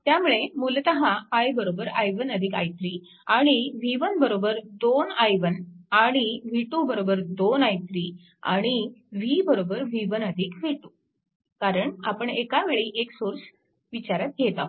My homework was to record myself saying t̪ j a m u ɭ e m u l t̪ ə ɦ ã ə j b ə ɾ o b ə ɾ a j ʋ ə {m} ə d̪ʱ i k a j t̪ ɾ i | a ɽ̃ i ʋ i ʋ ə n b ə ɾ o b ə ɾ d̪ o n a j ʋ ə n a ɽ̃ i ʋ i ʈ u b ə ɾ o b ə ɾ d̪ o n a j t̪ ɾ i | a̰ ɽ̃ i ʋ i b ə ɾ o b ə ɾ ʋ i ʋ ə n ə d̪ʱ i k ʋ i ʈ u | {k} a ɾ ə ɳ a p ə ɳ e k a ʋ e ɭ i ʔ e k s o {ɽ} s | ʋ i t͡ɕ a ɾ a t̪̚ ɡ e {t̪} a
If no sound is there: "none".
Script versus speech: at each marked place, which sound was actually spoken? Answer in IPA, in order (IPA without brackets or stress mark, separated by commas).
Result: n, k, ɾ, t̪